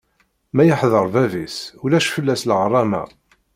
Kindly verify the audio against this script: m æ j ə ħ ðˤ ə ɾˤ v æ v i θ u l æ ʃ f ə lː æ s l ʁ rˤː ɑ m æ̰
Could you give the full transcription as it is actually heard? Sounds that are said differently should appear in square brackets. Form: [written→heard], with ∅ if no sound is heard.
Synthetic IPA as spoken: m æ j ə ħ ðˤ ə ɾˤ v æ v i [θ→s] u l æ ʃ f ə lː æ s l ʁ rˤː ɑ m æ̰